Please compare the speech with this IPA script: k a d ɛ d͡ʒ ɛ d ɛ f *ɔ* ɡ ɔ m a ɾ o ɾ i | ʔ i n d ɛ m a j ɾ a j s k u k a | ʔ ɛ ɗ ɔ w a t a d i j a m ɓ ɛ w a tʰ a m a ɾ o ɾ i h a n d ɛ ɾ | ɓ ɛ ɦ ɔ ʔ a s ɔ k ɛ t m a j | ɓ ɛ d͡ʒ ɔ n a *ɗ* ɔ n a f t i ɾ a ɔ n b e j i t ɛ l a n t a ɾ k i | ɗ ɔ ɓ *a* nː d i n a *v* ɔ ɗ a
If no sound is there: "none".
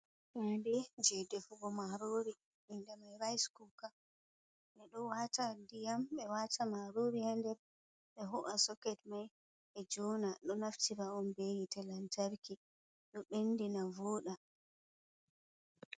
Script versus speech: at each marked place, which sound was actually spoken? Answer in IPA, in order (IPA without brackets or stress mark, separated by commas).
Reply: u, ɗ, e, v